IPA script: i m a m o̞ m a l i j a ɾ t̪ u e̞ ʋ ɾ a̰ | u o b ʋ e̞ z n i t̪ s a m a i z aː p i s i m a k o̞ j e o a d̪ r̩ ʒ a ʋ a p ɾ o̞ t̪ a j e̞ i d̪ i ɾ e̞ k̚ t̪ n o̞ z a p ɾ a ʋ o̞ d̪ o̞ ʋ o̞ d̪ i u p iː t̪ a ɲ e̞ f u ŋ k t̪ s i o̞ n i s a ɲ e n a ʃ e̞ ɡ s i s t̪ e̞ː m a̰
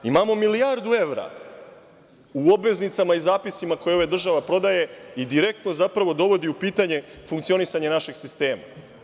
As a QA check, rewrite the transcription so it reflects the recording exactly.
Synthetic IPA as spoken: i m a m o̞ m i l i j a ɾ d̪ u e̞ ʋ ɾ a̰ | u o b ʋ e̞ z n i t̪ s a m a i z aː p i s i m a k o̞ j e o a d̪ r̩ ʒ a ʋ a p ɾ o̞ d̪ a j e̞ i d̪ i ɾ e̞ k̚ t̪ n o̞ z a p ɾ a ʋ o̞ d̪ o̞ ʋ o̞ d̪ i u p iː t̪ a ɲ e̞ f u ŋ k t̪ s i o̞ n i s a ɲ e n a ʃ e̞ ɡ s i s t̪ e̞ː m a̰